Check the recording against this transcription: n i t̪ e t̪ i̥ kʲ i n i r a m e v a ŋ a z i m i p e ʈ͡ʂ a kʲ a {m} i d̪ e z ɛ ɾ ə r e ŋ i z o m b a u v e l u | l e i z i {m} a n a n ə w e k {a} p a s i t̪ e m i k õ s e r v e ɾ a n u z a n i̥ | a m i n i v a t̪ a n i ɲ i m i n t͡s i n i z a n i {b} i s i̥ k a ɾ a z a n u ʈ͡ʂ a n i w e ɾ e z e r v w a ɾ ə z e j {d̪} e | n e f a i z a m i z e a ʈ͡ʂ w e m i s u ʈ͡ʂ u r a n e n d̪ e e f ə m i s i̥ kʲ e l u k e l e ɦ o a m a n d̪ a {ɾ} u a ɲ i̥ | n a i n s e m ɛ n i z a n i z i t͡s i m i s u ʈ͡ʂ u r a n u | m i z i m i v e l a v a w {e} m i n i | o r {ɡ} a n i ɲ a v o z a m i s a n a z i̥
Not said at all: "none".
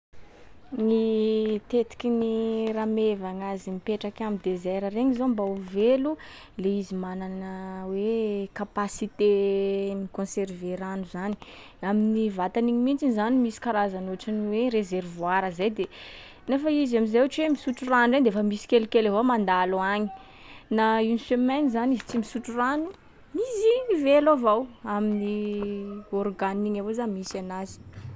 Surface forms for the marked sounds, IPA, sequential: m, m, a, m, d̪, l, a, ɡ

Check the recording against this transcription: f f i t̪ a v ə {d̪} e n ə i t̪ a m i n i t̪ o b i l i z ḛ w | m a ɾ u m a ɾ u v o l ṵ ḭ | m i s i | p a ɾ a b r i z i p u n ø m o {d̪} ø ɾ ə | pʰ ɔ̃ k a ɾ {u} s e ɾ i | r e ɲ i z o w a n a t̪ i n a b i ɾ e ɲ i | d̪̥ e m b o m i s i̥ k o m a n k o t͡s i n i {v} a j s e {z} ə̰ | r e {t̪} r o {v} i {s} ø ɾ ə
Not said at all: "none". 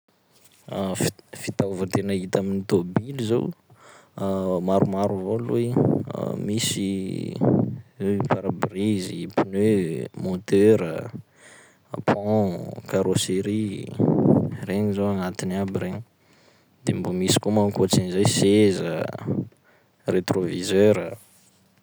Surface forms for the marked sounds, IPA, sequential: t̪, t̪, o, z, z, t̪, v, z

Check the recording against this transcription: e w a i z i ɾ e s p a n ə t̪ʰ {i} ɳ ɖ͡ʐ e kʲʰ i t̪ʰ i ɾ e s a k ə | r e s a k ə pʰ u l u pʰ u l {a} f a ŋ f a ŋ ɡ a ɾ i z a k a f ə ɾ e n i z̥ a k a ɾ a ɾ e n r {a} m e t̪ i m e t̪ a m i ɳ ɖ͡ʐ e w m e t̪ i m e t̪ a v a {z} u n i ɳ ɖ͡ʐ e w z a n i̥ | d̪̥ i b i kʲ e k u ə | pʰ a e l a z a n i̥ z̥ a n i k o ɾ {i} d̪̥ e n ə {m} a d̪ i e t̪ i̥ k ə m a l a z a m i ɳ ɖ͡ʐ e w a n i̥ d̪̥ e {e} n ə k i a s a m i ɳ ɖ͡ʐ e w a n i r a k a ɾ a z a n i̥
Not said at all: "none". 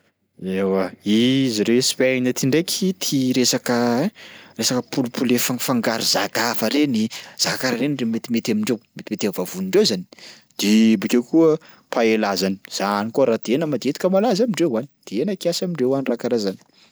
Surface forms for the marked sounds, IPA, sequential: i, e, e, v, a, m, e

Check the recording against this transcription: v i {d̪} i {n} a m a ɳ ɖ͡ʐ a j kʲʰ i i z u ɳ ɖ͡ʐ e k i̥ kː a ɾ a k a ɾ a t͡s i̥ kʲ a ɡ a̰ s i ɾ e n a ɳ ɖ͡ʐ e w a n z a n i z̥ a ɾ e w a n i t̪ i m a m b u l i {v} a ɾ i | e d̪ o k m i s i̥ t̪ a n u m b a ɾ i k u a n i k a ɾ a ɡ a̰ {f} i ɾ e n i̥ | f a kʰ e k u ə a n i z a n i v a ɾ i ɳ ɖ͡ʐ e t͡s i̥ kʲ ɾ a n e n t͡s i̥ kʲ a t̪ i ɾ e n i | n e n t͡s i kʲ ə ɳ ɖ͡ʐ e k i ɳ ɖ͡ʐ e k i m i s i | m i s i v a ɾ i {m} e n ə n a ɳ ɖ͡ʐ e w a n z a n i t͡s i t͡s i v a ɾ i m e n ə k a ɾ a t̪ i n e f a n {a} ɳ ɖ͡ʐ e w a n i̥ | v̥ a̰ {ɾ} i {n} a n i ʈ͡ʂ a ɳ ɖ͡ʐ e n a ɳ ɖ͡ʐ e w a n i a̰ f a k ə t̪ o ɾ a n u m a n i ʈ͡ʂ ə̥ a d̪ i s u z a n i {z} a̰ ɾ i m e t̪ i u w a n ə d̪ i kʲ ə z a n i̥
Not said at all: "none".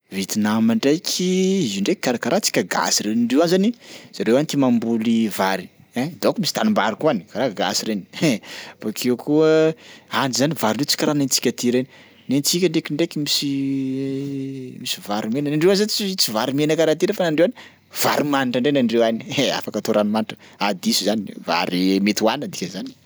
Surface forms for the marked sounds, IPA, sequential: t̪, n, v, s, m, a, ɾ, m, v

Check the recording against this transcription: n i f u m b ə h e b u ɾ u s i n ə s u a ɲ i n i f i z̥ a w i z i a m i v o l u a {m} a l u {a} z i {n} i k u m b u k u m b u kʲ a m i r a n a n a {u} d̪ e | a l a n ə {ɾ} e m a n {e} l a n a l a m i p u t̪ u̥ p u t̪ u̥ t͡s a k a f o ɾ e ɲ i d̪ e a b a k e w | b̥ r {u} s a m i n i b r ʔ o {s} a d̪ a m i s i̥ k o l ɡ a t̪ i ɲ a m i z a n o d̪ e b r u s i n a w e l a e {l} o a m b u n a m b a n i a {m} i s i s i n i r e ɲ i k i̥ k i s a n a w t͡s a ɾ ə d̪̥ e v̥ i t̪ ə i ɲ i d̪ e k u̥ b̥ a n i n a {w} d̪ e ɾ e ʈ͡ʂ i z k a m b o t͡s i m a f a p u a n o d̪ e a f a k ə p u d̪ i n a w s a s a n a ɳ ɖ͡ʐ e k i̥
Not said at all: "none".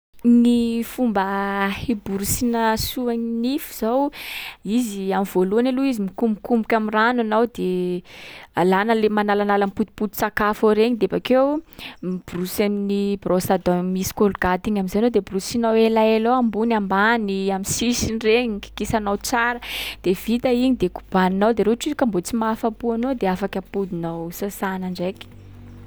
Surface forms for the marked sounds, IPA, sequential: n, i, m, w, l, a, u, s, l, m, w

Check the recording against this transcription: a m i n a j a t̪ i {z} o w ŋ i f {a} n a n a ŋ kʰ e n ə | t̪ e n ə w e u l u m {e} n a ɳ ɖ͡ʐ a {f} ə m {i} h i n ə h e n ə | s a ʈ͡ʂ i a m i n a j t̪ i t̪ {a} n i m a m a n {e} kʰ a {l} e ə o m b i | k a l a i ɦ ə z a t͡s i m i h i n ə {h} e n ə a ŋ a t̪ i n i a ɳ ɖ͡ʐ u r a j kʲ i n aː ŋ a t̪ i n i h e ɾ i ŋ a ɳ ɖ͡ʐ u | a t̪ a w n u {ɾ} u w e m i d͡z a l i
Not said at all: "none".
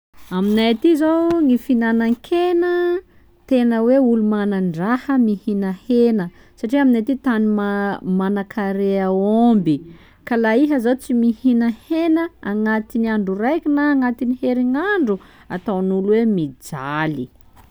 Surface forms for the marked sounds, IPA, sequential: z, i, a, h, i, a, a, ɾ, h, l

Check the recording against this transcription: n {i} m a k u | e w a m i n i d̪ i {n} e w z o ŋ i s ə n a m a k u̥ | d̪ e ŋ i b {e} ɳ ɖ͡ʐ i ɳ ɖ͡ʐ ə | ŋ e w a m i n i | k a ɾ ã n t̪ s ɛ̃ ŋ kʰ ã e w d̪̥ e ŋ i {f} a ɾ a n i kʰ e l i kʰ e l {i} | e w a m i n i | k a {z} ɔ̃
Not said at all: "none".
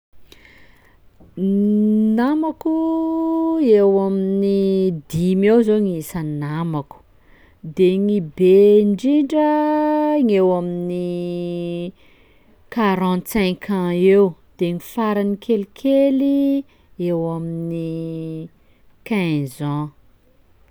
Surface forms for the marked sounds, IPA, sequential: a, m, e, f, i, z

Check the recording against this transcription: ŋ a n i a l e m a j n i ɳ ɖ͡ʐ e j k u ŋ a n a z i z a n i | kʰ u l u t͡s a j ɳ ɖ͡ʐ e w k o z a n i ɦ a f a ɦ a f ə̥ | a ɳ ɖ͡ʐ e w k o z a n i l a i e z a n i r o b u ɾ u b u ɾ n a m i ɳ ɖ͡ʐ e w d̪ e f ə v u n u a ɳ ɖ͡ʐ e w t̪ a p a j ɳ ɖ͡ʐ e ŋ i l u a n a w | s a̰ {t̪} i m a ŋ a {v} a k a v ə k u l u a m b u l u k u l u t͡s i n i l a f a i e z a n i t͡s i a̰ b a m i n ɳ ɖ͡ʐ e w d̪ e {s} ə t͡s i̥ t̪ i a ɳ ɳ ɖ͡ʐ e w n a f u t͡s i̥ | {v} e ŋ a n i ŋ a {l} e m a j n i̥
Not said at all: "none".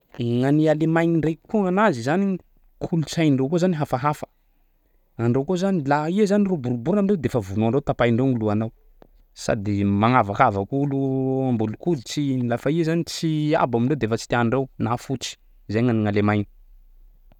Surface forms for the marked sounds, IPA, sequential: d̪, v, f, z, l

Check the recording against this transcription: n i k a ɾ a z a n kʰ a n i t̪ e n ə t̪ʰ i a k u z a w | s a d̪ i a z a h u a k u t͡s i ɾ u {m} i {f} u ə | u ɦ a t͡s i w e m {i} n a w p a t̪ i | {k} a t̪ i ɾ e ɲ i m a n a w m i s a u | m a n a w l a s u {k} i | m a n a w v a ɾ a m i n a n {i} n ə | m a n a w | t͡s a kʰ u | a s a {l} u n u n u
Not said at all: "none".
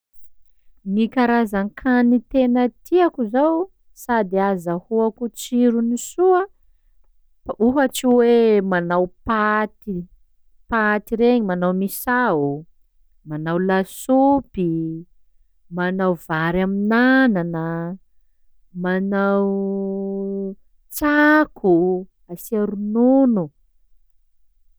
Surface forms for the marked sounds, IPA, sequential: n, s, a, p, p, a, ɾ

